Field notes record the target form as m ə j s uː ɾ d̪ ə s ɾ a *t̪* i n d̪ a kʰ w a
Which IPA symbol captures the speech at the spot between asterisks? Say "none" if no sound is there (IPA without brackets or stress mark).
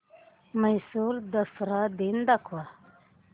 d̪